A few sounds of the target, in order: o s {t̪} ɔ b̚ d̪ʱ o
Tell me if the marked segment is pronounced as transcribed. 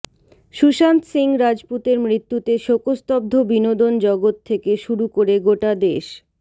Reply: yes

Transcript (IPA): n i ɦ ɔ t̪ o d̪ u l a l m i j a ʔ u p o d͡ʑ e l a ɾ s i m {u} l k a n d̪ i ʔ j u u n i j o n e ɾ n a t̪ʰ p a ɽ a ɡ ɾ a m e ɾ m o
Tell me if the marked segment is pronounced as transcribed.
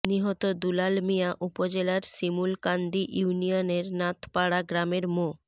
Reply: yes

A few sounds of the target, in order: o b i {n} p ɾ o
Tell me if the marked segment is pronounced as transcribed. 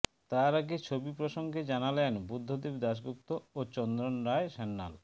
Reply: no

